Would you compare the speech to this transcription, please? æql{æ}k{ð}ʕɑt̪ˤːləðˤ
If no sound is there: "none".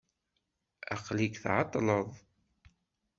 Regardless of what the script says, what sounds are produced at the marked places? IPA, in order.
i, θ

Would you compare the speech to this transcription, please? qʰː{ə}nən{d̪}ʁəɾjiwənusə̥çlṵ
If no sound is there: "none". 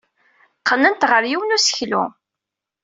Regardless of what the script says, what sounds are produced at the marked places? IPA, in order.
ə, t̪

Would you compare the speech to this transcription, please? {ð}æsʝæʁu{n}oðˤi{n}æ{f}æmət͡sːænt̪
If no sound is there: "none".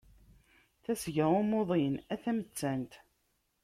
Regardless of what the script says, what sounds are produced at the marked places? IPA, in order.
θ, m, n, θ

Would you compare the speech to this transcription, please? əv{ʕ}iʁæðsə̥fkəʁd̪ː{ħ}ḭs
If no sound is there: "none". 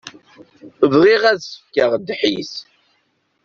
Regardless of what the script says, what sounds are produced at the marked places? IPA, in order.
ʁ, ħ

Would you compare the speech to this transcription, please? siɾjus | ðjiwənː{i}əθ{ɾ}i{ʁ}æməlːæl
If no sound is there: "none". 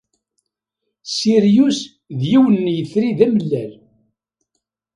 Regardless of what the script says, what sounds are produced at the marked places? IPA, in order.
j, ɾ, ð

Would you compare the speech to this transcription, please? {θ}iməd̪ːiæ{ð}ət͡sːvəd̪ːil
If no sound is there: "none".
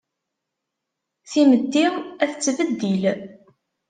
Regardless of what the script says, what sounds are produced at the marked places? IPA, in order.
θ, θ

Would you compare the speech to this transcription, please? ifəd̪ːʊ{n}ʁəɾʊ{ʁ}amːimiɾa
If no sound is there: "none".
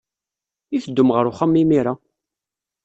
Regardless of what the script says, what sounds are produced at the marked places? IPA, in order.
m, χ

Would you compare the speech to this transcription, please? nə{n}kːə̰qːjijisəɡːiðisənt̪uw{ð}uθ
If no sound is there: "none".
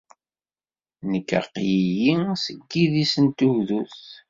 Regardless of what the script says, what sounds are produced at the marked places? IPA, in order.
none, ð

